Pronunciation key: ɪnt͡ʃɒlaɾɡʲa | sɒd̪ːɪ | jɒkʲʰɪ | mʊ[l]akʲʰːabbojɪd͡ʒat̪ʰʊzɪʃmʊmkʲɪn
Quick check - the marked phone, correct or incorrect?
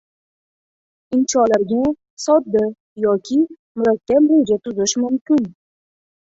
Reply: incorrect